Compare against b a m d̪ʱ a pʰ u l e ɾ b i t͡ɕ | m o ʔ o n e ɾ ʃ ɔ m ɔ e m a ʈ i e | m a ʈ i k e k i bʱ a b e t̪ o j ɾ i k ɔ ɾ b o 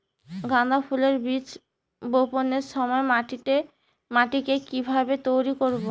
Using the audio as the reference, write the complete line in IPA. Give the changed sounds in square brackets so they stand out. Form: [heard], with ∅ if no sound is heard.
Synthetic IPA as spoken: [ɡ] a [n] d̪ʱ a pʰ u l e ɾ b i t͡ɕ | [b] o [p] o n e ɾ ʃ ɔ m ɔ e m a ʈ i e | m a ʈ i k e k i bʱ a b e t̪ o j ɾ i k [o] ɾ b o